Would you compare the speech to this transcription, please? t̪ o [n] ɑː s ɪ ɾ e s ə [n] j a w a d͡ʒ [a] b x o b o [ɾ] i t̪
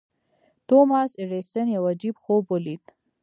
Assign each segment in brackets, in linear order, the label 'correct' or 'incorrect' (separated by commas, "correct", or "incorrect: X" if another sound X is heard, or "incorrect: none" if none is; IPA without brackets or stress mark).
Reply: incorrect: m, correct, incorrect: i, incorrect: l